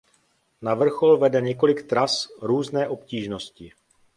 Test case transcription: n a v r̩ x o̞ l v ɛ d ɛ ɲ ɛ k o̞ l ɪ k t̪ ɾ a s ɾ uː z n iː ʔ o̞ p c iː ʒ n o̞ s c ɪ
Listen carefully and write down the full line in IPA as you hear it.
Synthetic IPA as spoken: n a v r̩ x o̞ l v ɛ d ɛ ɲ ɛ k o̞ l ɪ k t̪ ɾ a s ɾ uː z n ɛː ʔ o̞ p c iː ʒ n o̞ s c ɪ

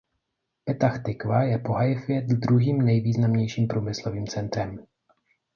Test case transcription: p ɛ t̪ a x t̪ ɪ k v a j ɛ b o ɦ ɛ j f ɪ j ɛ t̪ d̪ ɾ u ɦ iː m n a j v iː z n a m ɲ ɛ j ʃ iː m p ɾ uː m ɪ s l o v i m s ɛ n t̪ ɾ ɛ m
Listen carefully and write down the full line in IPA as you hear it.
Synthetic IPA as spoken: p ɛ t̪ a x t̪ ɪ k v a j ɛ p o ɦ a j f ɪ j ɛ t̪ d̪ ɾ u ɦ iː m n ɛ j v iː z n a m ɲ ɛ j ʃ iː m p ɾ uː m ɪ s l o v iː m t͡s ɛ n t̪ ɾ ɛ m

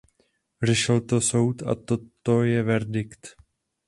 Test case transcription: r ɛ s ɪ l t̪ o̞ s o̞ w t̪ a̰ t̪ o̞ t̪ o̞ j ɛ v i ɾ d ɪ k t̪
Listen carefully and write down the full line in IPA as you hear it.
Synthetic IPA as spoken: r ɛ ʃ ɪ l t̪ o̞ s o̞ w t̪ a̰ t̪ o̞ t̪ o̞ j ɛ v ɛ ɾ d ɪ k t̪

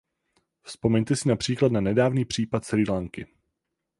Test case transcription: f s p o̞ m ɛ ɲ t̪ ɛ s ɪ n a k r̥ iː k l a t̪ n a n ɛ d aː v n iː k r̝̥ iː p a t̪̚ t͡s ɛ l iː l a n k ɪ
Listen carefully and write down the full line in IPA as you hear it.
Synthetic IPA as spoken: f s p o̞ m ɛ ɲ t̪ ɛ s ɪ n a p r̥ iː k l a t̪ n a n ɛ d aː v n iː p r̝̥ iː p a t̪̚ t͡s ɛ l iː l a ŋ k ɪ

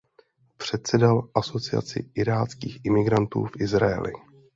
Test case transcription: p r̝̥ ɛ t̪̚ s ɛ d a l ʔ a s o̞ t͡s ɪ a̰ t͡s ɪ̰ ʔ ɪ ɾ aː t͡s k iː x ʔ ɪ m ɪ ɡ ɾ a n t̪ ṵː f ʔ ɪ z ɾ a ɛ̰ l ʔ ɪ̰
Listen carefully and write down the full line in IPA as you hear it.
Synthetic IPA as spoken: p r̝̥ ɛ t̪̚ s ɛ d a l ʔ a s o̞ t͡s ɪ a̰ t͡s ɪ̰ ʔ ɪ ɾ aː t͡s k iː x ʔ ɪ m ɪ ɡ ɾ a n t̪ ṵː f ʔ ɪ z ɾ a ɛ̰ l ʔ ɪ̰

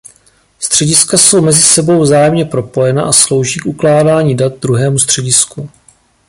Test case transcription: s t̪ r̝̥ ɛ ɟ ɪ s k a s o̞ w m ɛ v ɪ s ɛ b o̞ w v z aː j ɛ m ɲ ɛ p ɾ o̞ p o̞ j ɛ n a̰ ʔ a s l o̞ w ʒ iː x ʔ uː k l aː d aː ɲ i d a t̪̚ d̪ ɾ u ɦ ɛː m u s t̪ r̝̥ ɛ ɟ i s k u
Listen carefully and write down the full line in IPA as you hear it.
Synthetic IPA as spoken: s t̪ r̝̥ ɛ ɟ ɪ s k a s o̞ w m ɛ z ɪ s ɛ b o̞ w v z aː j ɛ m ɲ ɛ p ɾ o̞ p o̞ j ɛ n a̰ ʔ a s l o̞ w ʒ iː k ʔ u k l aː d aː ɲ i d a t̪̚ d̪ ɾ u ɦ ɛː m u s t̪ r̝̥ ɛ ɟ ɪ s k u

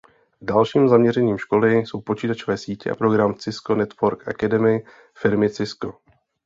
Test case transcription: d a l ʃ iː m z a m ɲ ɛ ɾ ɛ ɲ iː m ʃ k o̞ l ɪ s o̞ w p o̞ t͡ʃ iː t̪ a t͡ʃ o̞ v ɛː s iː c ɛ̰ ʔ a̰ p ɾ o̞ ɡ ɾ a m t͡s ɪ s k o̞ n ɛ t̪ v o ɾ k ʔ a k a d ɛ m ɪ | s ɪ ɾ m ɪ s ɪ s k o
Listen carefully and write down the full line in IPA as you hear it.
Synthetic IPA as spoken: d a l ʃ iː m z a m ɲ ɛ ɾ ɛ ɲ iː m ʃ k o̞ l ɪ s o̞ w p o̞ t͡ʃ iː t̪ a t͡ʃ o̞ v ɛː s iː c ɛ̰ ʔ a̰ p ɾ o̞ ɡ ɾ a m t͡s ɪ s k o̞ n ɛ t̪ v o ɾ k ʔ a k a d ɛ m ɪ | f ɪ ɾ m ɪ t͡s ɪ s k o

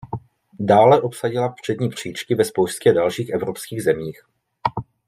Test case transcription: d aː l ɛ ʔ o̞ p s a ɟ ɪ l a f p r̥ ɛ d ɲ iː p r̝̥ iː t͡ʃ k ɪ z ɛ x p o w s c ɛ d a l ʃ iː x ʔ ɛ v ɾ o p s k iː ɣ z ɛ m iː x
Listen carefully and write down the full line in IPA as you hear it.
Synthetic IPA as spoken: d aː l ɛ ʔ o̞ p s a ɟ ɪ l a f p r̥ ɛ d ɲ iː p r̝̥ iː t͡ʃ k ɪ v ɛ s p o w s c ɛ d a l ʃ iː x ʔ ɛ v ɾ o p s k iː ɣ z ɛ m iː x

